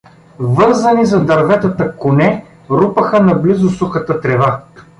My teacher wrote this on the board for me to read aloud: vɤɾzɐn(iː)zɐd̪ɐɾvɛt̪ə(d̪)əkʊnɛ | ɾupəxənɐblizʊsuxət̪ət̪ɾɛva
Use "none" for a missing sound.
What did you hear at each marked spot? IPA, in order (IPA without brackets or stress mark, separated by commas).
i, t̪